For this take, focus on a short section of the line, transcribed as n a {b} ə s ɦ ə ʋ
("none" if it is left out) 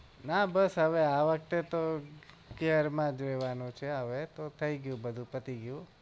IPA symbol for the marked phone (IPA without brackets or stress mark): b